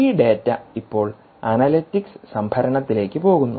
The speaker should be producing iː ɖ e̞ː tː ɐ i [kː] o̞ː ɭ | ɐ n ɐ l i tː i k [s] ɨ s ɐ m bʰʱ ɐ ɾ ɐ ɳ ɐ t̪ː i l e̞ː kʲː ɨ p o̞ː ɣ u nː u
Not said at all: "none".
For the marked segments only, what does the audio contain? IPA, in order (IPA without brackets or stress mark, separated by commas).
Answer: pː, s